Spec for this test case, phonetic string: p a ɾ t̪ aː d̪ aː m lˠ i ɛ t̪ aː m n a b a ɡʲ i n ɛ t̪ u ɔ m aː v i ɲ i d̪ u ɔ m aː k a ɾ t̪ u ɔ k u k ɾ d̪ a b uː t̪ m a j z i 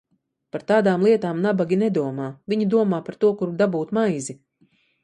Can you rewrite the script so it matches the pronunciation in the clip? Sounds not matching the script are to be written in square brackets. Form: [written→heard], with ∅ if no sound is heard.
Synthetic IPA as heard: p a ɾ t̪ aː d̪ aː m lˠ i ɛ t̪ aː m n a b a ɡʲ i n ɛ [t̪→d̪] u ɔ m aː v i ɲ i d̪ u ɔ m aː [k→p] a ɾ t̪ u ɔ k u [k→∅] ɾ d̪ a b uː t̪ m a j z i